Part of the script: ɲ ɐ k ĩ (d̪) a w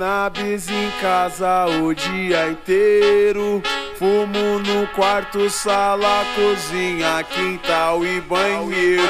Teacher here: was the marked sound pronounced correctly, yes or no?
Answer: no